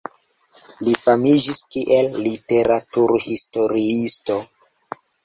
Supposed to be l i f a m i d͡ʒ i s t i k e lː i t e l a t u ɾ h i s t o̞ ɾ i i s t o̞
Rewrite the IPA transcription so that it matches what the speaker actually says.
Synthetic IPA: l i f a m i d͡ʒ i s k i ʔ e lː i t e ɾ a t u ɾ h i s t o̞ ɾ i i s t o̞